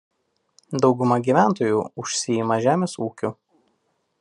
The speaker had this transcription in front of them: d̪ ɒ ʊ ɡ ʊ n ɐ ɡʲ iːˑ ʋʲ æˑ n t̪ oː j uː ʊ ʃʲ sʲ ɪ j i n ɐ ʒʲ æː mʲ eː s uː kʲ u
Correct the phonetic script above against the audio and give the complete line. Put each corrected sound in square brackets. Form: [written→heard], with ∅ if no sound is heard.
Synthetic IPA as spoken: d̪ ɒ ʊ ɡ ʊ [n→m] ɐ ɡʲ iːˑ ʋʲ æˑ n t̪ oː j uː ʊ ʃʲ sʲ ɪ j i [n→m] ɐ ʒʲ æː mʲ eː s uː kʲ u